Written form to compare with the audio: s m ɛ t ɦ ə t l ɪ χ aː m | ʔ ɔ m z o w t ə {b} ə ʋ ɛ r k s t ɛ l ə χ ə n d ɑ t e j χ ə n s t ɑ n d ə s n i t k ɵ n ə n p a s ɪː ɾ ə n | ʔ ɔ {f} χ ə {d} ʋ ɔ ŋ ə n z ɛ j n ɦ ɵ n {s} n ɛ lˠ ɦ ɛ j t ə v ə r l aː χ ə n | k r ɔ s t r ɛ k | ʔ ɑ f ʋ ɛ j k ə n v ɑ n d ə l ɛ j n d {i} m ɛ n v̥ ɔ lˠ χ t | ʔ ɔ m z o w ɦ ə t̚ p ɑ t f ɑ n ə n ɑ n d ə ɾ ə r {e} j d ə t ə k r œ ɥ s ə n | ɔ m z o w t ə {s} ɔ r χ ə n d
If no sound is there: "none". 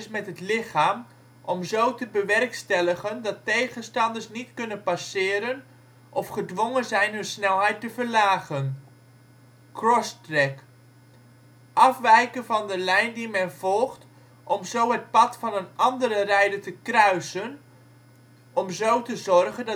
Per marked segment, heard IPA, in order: b, f, d, s, i, ɛ, z

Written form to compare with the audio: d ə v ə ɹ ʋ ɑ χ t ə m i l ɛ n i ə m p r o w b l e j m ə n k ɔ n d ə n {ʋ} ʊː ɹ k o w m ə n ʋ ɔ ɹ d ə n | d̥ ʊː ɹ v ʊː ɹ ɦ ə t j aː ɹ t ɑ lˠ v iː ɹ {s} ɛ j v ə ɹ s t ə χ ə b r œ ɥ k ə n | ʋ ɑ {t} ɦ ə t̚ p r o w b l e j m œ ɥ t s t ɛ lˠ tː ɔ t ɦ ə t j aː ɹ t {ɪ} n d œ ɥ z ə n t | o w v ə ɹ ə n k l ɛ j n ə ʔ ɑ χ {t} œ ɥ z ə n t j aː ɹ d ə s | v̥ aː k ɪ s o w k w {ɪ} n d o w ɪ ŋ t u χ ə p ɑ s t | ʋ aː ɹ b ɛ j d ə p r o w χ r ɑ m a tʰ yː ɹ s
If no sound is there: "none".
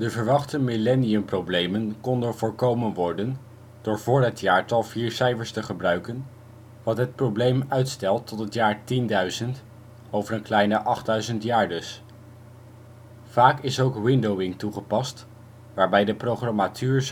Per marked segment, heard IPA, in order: v, s, t, i, d, ɪ

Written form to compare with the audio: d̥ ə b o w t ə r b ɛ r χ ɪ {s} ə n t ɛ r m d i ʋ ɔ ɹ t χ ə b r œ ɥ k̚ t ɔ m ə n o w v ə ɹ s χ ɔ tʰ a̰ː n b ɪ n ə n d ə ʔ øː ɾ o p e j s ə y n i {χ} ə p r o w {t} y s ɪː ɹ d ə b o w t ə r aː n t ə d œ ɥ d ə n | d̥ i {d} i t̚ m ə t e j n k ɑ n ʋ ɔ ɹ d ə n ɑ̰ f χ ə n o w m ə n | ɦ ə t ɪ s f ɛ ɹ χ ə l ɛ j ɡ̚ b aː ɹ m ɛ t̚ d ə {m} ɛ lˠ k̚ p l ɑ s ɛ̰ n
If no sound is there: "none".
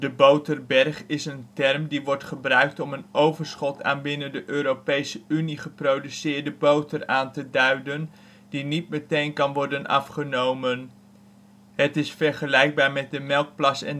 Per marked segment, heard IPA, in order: s, χ, d, n, m

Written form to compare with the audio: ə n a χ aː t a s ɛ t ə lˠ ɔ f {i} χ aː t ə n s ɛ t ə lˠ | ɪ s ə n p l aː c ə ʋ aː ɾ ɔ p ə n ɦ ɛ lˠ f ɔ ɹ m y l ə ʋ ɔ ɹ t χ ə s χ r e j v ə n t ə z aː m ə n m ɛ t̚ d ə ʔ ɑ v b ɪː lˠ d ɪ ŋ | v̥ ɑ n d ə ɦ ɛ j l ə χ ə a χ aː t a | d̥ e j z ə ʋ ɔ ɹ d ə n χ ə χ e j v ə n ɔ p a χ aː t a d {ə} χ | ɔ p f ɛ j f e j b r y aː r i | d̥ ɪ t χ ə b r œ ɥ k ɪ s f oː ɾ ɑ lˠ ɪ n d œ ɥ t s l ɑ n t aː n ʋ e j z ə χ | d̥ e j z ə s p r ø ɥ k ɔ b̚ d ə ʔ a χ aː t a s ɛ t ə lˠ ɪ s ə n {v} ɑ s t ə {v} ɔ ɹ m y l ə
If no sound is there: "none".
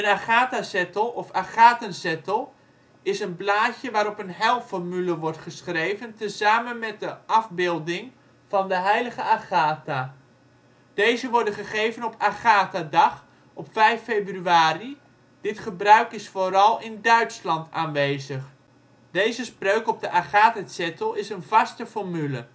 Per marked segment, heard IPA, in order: a, ɑ, v, f

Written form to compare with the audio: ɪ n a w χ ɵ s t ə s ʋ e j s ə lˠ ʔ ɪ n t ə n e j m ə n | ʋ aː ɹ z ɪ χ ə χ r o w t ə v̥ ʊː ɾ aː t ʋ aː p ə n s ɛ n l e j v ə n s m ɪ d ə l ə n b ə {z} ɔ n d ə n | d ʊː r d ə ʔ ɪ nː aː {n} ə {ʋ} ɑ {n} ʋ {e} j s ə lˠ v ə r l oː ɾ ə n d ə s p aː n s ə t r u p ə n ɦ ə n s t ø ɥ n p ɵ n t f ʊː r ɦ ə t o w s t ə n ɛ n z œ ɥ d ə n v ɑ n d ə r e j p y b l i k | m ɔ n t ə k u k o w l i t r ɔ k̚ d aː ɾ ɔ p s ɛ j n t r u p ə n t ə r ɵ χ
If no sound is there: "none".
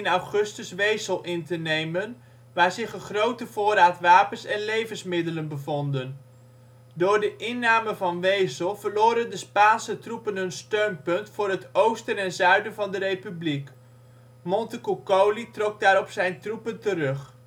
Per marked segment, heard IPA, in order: v, m, v, n, e

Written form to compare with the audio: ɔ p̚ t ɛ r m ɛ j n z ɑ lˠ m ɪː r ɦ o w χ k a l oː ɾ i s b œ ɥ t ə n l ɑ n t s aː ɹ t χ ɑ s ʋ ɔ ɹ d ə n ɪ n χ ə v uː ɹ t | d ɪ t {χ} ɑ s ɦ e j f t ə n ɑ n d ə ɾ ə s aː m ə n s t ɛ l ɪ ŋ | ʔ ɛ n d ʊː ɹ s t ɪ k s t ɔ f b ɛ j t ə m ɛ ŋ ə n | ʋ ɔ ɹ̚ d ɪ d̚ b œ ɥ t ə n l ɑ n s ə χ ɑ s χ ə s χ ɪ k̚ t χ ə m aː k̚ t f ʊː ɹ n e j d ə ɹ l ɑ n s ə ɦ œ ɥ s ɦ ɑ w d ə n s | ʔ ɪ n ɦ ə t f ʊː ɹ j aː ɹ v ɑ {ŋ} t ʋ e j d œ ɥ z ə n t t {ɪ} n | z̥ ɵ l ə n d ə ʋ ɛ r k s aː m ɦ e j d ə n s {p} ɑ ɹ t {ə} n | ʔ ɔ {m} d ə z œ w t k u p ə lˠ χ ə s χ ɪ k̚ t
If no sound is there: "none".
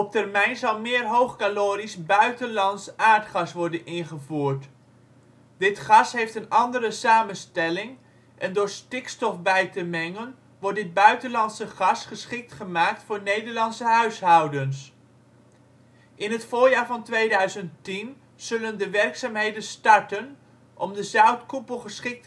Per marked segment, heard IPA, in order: χ, n, i, t, ə, m

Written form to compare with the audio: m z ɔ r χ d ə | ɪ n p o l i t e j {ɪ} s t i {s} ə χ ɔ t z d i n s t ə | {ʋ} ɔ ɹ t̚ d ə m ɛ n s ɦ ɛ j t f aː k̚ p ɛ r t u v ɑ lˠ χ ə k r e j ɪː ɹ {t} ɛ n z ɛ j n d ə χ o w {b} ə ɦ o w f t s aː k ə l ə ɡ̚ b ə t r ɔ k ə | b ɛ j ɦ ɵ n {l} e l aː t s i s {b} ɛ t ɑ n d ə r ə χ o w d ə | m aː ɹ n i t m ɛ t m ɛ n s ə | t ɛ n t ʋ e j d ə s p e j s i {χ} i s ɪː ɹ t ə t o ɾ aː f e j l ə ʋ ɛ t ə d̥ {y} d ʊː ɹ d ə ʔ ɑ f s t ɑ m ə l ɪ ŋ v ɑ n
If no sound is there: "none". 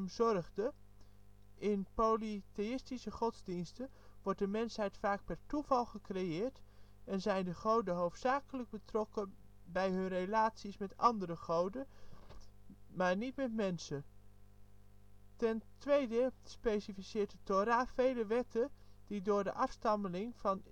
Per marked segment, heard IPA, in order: ɪ, s, ʋ, t, d, r, m, f, i

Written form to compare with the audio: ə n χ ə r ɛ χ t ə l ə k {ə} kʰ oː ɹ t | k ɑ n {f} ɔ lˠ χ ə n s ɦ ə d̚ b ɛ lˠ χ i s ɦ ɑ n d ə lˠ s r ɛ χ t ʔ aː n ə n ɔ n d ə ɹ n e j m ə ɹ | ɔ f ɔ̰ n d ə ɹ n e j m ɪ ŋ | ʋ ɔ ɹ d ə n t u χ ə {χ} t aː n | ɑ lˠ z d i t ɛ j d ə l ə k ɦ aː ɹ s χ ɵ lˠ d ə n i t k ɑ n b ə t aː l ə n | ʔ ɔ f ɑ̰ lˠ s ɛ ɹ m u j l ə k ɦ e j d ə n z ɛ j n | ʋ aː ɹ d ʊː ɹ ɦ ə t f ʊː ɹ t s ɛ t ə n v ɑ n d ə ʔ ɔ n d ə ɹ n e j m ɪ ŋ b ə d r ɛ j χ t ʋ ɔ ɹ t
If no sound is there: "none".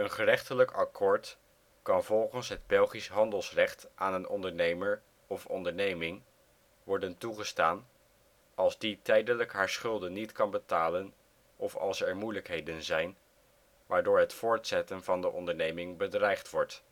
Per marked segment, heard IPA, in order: ɑ, v, s

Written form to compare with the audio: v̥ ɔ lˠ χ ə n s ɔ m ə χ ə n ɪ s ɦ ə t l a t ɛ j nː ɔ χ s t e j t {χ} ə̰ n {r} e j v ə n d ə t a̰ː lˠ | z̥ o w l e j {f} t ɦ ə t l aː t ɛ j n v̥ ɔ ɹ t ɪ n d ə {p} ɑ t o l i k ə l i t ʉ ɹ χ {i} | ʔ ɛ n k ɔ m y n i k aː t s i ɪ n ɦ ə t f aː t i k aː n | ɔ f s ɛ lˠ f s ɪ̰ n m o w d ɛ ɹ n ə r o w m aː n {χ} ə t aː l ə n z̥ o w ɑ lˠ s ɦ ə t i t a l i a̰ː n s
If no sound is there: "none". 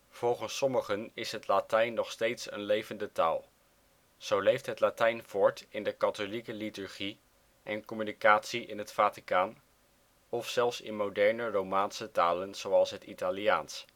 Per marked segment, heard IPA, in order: s, l, f, k, i, s

